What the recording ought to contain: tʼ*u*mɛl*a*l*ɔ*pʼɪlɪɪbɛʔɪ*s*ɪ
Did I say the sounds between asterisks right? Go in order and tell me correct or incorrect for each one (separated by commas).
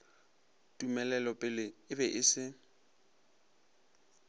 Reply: correct, incorrect, correct, correct